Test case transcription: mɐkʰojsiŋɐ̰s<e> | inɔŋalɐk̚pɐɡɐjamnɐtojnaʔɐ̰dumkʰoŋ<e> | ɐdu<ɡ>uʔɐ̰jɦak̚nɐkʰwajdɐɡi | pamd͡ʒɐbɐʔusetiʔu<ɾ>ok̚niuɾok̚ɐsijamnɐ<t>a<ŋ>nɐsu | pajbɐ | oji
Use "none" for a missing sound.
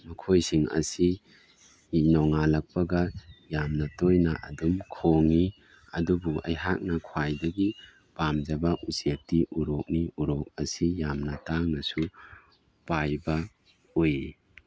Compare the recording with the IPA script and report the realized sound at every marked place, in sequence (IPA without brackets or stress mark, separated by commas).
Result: i, i, b, ɾ, t, ŋ